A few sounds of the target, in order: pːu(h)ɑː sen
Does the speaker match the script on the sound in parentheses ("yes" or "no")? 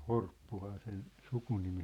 yes